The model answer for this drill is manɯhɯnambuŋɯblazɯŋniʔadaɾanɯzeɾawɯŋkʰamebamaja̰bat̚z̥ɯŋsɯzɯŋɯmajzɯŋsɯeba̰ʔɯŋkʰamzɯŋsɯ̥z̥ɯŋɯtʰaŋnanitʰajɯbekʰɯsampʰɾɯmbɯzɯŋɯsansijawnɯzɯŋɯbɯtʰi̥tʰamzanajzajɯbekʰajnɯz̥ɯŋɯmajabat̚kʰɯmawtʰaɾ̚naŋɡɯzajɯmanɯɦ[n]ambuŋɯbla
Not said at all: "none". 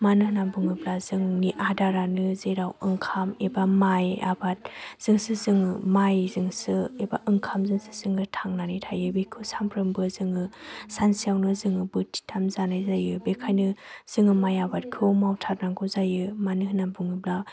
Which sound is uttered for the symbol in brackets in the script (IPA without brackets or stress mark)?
n